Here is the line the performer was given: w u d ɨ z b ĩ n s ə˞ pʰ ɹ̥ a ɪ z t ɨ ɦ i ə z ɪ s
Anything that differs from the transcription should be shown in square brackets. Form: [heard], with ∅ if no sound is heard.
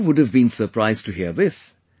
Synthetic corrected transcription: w [ʊ] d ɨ [v] b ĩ n s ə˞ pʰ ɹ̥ a ɪ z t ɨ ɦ i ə [ð] ɪ s